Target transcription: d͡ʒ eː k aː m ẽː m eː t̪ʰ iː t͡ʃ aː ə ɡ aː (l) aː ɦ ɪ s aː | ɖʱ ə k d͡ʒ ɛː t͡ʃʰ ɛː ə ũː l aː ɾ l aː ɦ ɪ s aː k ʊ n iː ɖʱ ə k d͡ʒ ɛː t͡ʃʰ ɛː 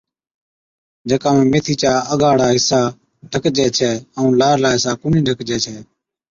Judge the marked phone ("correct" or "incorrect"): incorrect